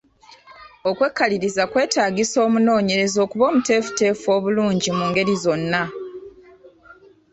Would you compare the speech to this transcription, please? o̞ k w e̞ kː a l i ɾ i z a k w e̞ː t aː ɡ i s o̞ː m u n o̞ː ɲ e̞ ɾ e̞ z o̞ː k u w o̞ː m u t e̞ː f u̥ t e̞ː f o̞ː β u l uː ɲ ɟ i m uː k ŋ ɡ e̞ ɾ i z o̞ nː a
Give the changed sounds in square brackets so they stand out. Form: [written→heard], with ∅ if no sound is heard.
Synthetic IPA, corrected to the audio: o̞ k w e̞ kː a l i ɾ i z a k w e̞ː t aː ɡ i s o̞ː m u n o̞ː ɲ e̞ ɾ e̞ z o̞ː k u [w→β] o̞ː m u t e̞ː f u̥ t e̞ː f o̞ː β u l uː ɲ ɟ i m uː [k→∅] ŋ ɡ e̞ ɾ i z o̞ nː a

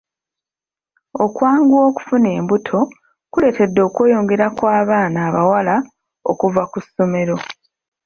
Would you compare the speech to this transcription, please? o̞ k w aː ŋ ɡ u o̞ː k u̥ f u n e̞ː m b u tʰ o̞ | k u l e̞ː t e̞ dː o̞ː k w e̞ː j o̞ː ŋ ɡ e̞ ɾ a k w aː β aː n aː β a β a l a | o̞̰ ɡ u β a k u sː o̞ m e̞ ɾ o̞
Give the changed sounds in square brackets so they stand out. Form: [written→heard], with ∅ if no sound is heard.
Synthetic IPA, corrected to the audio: o̞ k w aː ŋ ɡ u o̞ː k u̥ f u n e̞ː m b u tʰ o̞ | k u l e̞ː t e̞ dː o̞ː k w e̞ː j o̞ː ŋ ɡ e̞ ɾ a k w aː β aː n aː β a [β→w] a l a | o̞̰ [ɡ→k] u [β→v] a k u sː o̞ m e̞ ɾ o̞

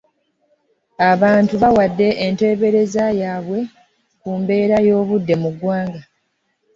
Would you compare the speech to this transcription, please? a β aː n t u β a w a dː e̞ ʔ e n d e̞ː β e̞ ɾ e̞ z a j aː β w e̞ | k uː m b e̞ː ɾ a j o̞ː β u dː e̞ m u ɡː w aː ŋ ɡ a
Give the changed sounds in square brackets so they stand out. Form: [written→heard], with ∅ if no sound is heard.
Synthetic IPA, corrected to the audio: a β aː n t u β a w a dː e̞ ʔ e n [d→t] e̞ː β e̞ ɾ e̞ z a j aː β w e̞ | k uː m b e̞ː ɾ a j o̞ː β u dː e̞ m u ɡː w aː ŋ ɡ a

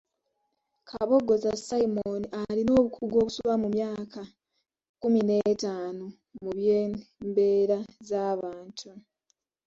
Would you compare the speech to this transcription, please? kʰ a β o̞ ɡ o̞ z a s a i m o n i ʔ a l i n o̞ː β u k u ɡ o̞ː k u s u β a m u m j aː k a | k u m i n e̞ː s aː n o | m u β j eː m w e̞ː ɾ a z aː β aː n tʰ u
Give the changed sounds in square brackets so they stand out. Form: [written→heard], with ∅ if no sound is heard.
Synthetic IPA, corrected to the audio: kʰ a β o̞ ɡ o̞ z a s a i m o n i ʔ a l i n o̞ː β u k u ɡ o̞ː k u s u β a m u m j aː k a | k u m i n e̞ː [s→t] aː n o | m u β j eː m [w→b] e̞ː ɾ a z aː β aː n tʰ u

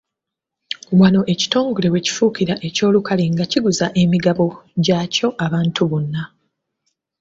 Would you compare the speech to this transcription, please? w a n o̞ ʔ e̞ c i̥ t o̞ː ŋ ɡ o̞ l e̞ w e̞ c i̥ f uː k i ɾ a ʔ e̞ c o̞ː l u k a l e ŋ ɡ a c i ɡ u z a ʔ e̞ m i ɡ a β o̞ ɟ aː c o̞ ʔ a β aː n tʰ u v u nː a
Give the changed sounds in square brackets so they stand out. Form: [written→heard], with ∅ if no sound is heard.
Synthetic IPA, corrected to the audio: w a n o̞ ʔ e̞ c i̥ t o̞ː ŋ ɡ o̞ l e̞ w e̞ c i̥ f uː k i ɾ a ʔ e̞ c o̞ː l u k a l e ŋ ɡ a c i ɡ u z a ʔ e̞ m i ɡ a β o̞ ɟ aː c o̞ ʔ a β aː n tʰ u [v→β] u nː a

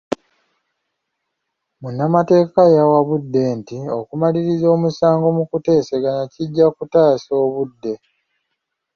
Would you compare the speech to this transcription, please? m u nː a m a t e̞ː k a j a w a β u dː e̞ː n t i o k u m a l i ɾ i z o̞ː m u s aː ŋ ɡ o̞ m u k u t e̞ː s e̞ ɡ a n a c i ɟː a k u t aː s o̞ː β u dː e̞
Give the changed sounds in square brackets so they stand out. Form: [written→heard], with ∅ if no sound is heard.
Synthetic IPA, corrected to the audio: m u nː a m a t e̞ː k a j a w a β u dː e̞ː n t i o k u m a l i ɾ i z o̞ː m u s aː ŋ ɡ o̞ m u k u t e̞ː s e̞ ɡ a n a c i ɟː a k u t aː s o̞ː β u dː e̞

